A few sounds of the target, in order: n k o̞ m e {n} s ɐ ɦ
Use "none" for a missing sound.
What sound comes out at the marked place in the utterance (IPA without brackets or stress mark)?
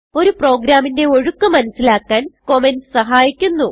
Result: n